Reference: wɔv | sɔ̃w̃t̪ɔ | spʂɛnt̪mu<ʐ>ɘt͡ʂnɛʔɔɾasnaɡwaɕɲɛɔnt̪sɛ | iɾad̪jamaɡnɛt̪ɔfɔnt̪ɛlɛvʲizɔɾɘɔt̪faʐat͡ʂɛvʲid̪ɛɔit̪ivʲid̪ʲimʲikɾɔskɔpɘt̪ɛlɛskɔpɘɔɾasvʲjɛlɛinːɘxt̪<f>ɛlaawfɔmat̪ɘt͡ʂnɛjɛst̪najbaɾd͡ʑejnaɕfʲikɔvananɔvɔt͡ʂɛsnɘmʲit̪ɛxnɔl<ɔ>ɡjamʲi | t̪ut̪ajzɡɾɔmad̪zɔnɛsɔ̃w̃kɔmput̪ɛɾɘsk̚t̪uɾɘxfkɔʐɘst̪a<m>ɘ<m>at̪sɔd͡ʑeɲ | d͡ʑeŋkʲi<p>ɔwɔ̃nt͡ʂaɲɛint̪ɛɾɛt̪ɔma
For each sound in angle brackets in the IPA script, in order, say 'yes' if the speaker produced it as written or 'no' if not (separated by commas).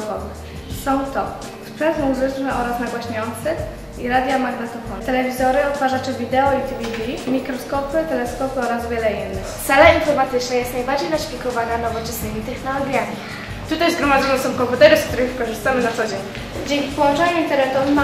no, no, yes, yes, no, yes